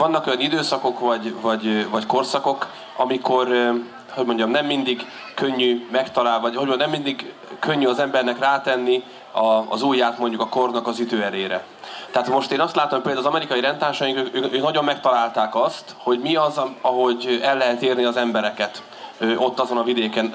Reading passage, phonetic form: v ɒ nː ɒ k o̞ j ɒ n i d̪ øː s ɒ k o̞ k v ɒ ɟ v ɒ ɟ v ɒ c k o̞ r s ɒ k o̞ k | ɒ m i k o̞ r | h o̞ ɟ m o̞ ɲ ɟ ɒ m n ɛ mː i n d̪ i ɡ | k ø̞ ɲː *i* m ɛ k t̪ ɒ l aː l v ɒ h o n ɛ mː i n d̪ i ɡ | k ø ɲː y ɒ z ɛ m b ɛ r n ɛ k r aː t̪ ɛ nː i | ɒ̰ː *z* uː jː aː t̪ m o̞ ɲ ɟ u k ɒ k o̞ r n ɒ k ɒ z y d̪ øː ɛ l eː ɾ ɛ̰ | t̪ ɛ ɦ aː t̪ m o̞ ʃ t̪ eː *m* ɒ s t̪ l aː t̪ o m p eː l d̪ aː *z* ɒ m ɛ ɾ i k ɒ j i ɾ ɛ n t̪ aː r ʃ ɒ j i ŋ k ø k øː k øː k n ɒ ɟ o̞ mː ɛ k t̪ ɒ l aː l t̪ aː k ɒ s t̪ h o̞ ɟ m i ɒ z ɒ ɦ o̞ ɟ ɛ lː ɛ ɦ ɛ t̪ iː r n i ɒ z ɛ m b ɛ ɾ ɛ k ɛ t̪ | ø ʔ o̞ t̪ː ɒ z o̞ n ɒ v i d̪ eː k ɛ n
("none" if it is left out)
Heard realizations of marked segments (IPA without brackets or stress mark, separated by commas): y, z, n, z